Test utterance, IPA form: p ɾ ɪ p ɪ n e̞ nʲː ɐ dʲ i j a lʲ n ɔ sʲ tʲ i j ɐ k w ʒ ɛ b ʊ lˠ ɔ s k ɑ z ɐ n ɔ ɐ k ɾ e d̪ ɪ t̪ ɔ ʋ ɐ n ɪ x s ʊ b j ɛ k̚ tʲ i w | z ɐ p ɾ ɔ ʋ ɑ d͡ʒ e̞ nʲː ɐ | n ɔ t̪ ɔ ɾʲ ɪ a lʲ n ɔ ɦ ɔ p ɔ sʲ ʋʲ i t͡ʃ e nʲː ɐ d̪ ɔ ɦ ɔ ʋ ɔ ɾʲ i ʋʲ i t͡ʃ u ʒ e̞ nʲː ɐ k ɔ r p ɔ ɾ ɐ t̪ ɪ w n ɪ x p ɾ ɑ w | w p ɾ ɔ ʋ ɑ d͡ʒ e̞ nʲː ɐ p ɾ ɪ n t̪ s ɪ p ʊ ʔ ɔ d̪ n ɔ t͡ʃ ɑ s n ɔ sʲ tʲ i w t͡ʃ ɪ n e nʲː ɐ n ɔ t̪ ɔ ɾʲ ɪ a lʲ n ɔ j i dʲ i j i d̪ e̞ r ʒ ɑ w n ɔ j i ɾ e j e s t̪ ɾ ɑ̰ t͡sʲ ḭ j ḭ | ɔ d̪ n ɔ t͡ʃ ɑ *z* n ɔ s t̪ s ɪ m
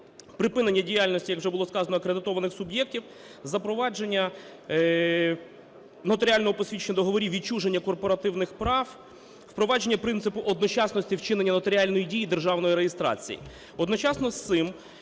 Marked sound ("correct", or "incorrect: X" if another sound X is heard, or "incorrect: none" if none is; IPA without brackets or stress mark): incorrect: s